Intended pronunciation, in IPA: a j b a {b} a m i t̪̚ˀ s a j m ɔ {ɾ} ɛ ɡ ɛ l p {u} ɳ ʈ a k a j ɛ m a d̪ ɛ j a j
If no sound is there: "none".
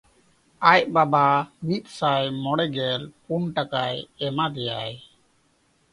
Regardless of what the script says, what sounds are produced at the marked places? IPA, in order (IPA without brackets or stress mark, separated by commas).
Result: b, ɽ, u